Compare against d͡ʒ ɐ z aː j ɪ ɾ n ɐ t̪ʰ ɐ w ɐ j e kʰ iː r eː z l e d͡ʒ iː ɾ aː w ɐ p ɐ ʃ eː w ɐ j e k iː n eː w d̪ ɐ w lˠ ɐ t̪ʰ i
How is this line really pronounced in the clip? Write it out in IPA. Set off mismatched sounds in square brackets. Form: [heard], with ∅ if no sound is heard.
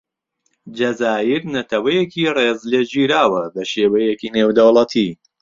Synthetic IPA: d͡ʒ ɐ z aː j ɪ ɾ n ɐ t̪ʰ ɐ w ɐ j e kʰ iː r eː z l e d͡ʒ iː ɾ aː w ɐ [b] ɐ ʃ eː w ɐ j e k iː n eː w d̪ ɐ w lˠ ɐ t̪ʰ i